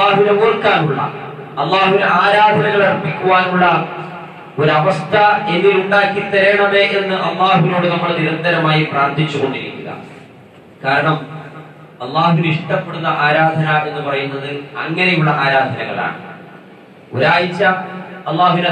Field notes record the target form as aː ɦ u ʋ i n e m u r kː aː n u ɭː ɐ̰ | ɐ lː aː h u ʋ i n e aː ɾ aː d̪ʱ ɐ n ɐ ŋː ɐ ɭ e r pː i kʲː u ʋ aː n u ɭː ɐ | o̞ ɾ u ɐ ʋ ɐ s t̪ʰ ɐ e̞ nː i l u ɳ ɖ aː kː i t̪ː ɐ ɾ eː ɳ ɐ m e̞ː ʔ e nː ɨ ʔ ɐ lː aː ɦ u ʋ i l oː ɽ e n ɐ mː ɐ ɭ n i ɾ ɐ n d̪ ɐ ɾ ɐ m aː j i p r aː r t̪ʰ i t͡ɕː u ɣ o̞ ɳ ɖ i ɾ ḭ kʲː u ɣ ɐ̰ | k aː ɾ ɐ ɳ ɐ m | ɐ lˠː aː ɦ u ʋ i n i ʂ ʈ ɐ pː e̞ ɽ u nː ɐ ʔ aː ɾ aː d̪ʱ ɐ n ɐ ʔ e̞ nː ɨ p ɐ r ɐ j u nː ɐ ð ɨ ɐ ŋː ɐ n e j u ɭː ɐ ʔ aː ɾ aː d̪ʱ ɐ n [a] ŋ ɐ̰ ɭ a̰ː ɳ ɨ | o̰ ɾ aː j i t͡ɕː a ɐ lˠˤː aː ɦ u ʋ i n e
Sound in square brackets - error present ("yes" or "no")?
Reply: yes